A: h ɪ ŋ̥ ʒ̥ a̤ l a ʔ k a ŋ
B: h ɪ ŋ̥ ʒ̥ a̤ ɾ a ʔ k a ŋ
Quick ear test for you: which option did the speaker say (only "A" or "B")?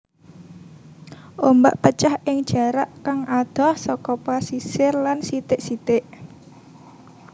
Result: B